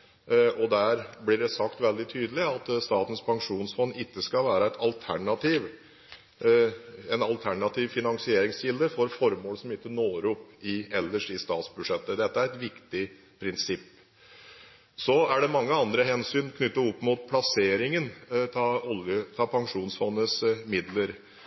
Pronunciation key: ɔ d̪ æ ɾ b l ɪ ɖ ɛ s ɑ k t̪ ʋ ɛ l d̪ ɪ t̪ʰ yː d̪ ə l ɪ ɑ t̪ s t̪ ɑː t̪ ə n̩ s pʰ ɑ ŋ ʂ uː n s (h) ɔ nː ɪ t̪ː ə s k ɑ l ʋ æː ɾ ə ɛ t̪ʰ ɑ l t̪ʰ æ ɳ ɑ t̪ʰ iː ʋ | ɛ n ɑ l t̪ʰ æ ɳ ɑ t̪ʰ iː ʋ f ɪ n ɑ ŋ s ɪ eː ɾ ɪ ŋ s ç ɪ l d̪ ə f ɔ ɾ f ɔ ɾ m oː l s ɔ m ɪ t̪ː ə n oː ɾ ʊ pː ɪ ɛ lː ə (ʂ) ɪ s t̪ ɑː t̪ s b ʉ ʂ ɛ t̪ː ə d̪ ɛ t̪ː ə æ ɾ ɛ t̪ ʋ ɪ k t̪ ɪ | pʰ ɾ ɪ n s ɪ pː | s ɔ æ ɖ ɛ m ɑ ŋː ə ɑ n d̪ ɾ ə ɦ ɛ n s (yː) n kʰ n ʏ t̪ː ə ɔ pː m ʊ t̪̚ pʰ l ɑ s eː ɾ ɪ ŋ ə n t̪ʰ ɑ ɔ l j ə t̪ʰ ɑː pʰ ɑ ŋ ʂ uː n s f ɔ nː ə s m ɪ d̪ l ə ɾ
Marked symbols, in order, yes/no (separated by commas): no, yes, yes